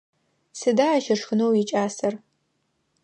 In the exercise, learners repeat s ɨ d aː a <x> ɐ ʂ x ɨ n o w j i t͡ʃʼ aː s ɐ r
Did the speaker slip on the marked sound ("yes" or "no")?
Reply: yes